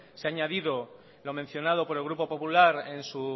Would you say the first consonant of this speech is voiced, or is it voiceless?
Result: voiceless